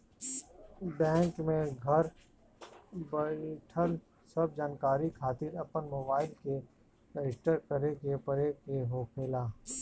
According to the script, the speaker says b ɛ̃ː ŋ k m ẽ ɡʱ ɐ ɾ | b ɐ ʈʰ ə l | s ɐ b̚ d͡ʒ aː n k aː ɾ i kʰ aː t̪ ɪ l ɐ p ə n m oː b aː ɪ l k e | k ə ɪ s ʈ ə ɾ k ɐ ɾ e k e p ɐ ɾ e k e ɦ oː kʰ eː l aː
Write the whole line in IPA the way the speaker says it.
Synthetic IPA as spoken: b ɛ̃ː ŋ k m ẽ ɡʱ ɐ ɾ | b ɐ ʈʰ ə l | s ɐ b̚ d͡ʒ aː n k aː ɾ i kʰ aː t̪ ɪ ɾ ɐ p ə n m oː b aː ɪ l k e | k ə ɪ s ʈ ə ɾ k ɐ ɾ e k e p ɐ ɾ e k e ɦ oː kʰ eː l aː